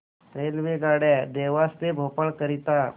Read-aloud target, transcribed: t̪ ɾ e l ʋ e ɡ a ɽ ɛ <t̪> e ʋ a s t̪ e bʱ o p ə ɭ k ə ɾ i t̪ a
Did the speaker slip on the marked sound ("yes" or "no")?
yes